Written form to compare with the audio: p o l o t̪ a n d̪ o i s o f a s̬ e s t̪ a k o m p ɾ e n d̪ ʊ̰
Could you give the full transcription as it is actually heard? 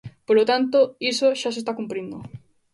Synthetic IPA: p o l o t̪ a n t̪ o i s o ʃ a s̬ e s t̪ a k u m p ɾ i n d̪ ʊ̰